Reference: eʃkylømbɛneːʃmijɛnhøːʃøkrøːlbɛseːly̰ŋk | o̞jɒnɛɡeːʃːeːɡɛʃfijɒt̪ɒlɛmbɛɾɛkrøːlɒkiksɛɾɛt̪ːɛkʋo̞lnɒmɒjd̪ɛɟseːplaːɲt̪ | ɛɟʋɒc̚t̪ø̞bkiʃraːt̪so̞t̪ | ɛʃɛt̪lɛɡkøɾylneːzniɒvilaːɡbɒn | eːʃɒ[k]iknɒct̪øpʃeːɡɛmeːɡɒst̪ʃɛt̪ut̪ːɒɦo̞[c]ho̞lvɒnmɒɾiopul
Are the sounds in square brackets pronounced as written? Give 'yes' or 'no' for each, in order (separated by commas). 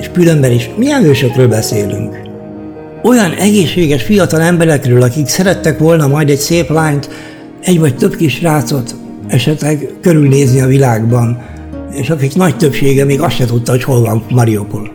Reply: yes, yes